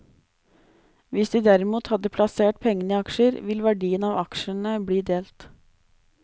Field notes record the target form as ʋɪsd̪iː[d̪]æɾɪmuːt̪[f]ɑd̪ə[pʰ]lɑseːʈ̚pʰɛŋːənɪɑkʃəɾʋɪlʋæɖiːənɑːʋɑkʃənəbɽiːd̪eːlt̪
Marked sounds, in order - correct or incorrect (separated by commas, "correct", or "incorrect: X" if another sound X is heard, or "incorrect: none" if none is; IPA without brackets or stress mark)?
correct, incorrect: h, correct